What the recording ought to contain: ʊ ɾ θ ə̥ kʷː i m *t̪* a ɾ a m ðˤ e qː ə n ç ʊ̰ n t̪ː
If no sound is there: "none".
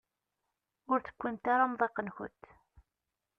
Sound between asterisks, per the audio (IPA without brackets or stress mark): t̪